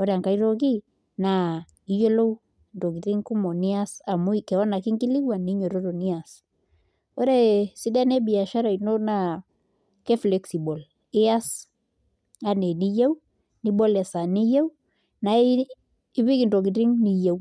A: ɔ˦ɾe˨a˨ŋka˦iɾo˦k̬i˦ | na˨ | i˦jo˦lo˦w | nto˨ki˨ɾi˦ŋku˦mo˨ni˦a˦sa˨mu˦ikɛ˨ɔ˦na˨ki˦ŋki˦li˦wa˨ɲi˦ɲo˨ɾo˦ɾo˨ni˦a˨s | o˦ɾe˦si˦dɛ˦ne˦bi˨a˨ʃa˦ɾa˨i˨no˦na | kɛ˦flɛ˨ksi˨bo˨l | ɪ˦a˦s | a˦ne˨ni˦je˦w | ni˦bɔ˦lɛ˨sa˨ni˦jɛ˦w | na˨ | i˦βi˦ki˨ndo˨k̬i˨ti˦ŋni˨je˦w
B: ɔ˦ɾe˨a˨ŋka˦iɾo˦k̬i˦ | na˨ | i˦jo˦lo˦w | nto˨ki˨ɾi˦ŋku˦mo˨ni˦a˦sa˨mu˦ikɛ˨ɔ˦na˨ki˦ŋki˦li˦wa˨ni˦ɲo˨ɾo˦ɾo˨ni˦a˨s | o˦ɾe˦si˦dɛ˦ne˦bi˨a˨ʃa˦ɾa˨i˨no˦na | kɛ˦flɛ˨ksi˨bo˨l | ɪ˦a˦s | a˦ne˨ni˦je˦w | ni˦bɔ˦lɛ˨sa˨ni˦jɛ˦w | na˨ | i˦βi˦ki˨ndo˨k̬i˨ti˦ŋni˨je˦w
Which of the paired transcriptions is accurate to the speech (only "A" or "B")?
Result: B